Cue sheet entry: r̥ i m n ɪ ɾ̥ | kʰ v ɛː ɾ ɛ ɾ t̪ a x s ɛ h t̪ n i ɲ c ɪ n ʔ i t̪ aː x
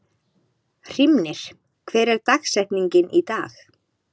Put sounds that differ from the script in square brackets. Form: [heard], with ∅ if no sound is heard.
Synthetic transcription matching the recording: r̥ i m n ɪ ɾ̥ | kʰ v ɛː ɾ ɛ ɾ t̪ a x s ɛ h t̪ n i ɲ c ɪ n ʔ i t̪ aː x